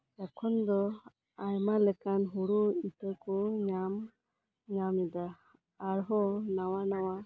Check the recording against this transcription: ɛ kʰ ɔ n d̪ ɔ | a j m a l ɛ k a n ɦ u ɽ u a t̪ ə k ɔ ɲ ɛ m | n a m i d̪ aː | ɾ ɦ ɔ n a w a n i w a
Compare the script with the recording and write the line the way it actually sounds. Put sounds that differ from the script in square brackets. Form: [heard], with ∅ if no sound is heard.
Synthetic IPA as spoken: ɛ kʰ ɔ n d̪ ɔ | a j m a l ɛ k a n ɦ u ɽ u [i] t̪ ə k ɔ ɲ [a] m | [ɲ] a m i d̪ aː | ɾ ɦ ɔ n a w a n [a] w a